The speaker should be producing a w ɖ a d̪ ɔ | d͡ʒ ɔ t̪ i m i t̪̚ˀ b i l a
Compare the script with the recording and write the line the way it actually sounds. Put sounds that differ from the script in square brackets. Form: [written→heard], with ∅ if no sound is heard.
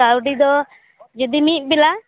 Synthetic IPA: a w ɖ [a→i] d̪ ɔ | d͡ʒ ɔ [t̪→d̪] i m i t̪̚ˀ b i l a